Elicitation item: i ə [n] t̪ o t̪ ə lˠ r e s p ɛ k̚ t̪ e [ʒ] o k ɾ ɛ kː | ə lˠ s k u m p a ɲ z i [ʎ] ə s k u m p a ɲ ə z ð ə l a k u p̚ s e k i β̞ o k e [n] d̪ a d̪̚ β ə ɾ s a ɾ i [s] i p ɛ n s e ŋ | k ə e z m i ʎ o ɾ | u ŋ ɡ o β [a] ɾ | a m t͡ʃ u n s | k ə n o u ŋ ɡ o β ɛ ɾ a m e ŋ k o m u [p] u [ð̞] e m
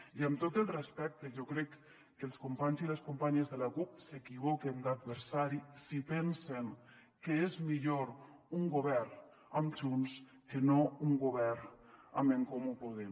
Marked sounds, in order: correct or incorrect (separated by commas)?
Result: incorrect, correct, incorrect, correct, correct, incorrect, correct, correct